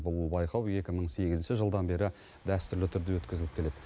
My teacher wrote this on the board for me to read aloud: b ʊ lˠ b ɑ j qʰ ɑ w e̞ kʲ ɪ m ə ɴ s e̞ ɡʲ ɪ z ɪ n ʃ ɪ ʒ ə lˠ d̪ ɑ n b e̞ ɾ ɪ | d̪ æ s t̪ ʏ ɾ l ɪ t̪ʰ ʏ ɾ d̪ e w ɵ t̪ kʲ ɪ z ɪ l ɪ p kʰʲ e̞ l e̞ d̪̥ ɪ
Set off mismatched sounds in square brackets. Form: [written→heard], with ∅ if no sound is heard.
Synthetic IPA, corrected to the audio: b ʊ lˠ b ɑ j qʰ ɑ w e̞ kʲ ɪ m ə ɴ s e̞ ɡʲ ɪ z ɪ n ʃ ɪ ʒ ə lˠ d̪ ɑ n b e̞ ɾ ɪ | d̪ æ s t̪ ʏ ɾ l ɪ t̪ʰ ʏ ɾ d̪ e w ɵ t̪ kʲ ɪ z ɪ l ɪ p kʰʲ e̞ l e̞ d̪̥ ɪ